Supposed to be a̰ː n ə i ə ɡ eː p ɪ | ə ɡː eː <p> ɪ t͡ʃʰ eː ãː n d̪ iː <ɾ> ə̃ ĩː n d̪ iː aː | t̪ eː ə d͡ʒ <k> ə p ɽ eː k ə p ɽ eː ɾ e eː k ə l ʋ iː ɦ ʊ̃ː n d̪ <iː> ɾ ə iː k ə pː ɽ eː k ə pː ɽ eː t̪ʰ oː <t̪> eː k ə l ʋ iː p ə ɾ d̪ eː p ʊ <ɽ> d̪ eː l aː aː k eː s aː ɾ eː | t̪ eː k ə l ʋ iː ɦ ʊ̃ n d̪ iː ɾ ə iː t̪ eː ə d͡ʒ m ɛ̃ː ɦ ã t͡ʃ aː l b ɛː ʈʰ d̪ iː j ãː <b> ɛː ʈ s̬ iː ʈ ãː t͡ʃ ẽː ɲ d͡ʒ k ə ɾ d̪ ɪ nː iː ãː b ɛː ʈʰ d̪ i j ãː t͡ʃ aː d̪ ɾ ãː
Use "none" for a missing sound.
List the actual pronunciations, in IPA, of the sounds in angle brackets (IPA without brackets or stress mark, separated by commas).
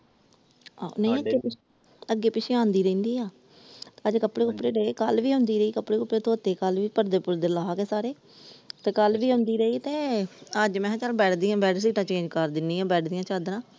p, ɾ, k, iː, t̪, ɾ, b